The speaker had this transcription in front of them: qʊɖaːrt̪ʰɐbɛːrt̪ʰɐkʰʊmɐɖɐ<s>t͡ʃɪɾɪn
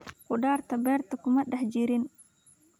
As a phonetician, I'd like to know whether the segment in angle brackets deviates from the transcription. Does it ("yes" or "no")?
yes